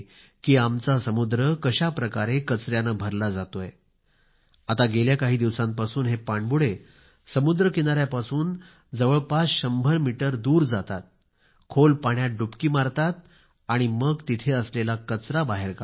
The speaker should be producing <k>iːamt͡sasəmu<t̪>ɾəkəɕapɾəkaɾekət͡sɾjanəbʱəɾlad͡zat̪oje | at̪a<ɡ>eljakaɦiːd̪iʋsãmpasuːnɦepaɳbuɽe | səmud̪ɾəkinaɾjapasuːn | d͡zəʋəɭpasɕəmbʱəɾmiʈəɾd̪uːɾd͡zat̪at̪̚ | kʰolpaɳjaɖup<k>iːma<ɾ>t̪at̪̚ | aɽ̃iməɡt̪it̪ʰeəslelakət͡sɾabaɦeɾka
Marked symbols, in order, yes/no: yes, no, yes, yes, yes

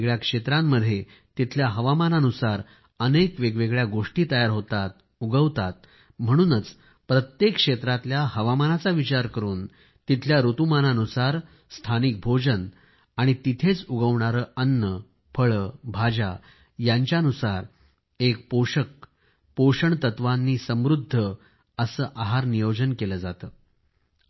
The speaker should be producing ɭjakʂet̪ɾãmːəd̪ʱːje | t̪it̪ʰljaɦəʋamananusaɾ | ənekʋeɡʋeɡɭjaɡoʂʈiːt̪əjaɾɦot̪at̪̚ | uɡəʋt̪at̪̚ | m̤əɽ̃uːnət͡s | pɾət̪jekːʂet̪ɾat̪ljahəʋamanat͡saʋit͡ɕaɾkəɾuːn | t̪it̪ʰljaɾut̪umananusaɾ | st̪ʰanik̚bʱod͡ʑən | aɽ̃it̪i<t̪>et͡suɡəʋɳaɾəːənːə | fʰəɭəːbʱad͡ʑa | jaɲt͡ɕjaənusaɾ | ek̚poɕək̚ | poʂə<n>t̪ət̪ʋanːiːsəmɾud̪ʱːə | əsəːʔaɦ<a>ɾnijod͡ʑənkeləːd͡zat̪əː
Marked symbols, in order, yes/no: no, no, yes

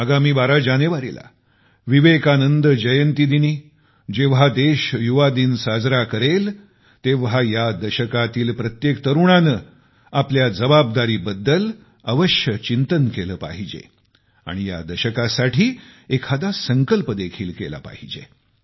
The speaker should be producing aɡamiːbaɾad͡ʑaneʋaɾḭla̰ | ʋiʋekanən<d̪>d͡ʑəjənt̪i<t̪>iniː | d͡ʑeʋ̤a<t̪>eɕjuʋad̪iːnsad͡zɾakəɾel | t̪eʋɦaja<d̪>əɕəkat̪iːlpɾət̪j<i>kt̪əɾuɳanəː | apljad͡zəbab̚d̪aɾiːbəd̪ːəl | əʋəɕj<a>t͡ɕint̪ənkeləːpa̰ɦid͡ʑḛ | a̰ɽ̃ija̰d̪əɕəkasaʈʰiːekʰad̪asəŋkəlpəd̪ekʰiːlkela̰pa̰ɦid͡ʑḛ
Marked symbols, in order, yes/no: yes, no, no, yes, no, no

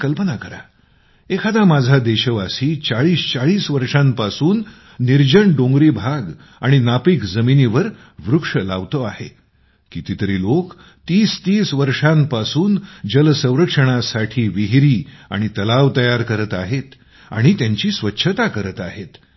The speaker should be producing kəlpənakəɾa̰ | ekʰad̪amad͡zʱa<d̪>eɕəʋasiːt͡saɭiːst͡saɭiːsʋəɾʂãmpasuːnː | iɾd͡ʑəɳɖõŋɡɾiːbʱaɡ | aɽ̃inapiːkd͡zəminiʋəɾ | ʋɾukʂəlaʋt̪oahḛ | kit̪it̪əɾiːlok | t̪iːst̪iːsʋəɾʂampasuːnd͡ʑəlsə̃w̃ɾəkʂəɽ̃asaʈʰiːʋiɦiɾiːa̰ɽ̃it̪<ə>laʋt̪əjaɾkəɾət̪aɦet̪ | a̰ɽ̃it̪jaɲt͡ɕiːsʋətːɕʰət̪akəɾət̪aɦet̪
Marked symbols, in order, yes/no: yes, yes

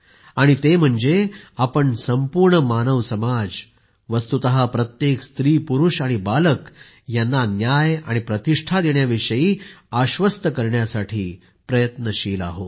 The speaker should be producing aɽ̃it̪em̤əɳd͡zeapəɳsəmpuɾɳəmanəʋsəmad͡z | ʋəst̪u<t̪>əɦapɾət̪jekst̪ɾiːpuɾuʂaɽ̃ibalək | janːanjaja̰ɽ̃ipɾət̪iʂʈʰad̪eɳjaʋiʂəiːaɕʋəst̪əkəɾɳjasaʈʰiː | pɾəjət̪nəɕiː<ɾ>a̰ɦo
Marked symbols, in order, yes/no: yes, no

